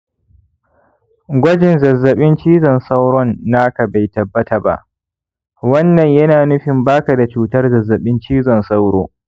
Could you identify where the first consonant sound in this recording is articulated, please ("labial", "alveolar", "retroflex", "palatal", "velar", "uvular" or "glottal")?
velar